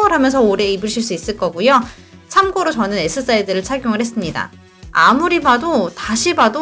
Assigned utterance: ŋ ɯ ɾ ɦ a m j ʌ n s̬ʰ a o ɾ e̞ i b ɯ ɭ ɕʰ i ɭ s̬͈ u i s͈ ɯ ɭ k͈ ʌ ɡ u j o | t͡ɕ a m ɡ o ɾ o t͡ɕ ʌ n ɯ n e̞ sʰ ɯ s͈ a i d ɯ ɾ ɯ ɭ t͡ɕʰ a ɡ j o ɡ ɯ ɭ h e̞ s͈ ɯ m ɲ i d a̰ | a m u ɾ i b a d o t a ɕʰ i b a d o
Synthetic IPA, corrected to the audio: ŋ ɯ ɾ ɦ a m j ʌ n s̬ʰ ʌ o ɾ e̞ i b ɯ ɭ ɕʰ i ɭ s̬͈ u i s͈ ɯ ɭ k͈ ʌ ɡ u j o | t͡ɕʰ a m ɡ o ɾ o t͡ɕ ʌ n ɯ n e̞ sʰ ɯ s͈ a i d ɯ ɾ ɯ ɭ t͡ɕʰ a ɡ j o ŋ ɯ ɭ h e̞ s͈ ɯ m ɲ i d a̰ | a m u ɾ i b a d o t a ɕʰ i b a d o